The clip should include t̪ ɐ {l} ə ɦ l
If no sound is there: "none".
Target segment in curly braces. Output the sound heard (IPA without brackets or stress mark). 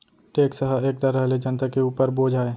ɾ